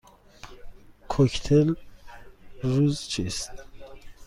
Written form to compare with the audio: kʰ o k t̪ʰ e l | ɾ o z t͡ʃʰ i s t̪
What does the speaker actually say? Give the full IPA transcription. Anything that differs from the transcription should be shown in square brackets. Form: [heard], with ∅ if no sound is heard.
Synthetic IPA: kʰ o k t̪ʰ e l | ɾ [u] z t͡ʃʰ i s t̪